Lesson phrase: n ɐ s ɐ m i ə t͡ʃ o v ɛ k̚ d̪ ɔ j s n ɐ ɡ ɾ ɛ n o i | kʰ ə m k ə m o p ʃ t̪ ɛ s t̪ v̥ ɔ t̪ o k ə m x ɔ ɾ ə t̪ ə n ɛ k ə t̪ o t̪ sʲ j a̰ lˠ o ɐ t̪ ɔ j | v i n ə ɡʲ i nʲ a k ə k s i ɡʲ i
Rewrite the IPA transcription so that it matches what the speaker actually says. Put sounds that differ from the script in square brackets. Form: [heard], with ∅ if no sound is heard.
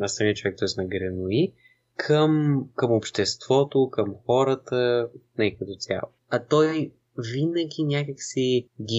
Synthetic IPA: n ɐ s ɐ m i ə t͡ʃ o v ɛ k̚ [t̪] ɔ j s n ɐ ɡ ɾ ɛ n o i | kʰ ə m k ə m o p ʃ t̪ ɛ s t̪ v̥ ɔ t̪ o k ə m x ɔ ɾ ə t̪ ə n ɛ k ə t̪ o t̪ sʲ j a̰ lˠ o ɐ t̪ ɔ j | v i n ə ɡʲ i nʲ a k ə k s i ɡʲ i